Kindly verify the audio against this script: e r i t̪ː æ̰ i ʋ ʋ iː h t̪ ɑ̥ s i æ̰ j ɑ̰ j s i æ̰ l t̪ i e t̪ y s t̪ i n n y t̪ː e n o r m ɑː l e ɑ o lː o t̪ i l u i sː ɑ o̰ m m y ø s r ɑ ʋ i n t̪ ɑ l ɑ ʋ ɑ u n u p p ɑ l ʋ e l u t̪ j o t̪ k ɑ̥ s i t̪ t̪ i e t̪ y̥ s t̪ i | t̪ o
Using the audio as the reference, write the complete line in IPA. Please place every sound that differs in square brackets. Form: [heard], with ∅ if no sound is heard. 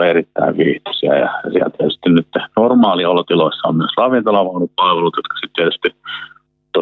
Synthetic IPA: e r i t̪ː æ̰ i ʋ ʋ iː h t̪ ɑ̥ s i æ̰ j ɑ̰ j s i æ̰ l t̪ i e t̪ y s t̪ i n n y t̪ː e n o r m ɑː l [i] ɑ o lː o t̪ i l [o] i sː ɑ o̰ m m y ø s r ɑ ʋ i n t̪ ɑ l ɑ ʋ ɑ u n u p p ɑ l ʋ e l u t̪ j o t̪ k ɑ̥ s i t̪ t̪ i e t̪ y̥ s t̪ i | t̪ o